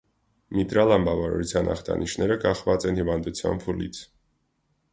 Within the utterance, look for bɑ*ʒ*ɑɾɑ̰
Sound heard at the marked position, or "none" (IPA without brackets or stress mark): v